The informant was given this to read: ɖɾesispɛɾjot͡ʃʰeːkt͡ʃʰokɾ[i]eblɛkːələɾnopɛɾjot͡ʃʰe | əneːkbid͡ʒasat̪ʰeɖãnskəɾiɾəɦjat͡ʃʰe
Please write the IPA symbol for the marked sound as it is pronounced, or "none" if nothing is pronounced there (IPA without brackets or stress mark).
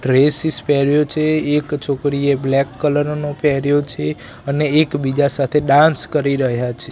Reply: i